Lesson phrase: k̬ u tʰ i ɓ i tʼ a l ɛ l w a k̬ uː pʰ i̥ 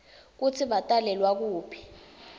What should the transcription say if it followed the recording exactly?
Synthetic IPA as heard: k̬ u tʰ i ɓ a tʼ a l ɛ l w a k̬ uː pʰ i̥